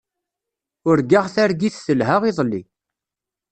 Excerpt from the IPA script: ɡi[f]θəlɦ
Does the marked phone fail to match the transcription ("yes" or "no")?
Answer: yes